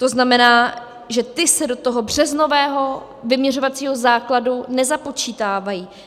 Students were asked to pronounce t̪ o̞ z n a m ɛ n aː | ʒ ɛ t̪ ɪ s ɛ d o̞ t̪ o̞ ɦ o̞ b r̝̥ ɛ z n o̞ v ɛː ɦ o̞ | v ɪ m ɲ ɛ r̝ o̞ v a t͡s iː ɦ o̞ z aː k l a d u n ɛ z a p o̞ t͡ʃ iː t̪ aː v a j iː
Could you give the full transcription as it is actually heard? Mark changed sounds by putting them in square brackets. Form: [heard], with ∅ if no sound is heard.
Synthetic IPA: t̪ o̞ z n a m ɛ n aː | ʒ ɛ t̪ ɪ s ɛ d o̞ t̪ o̞ ɦ o̞ b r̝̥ ɛ z n o̞ v ɛː ɦ o̞ | v ɪ m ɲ ɛ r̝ o̞ v a t͡s iː ɦ o̞ z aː k l a d u n ɛ z a p o̞ t͡ʃ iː t̪ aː v a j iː